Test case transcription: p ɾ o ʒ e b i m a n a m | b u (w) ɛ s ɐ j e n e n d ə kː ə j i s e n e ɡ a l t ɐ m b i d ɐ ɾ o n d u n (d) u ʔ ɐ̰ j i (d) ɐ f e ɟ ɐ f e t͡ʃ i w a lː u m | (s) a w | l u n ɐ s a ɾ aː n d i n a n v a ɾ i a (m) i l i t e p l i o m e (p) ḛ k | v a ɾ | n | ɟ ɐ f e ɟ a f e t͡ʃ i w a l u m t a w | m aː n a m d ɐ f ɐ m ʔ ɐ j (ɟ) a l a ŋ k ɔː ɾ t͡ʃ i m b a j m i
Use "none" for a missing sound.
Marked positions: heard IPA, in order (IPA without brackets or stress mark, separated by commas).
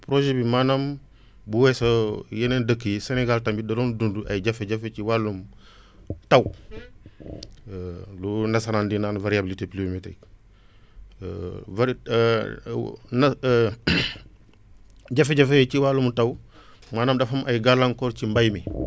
w, d, ɟ, t, b, t, ɡ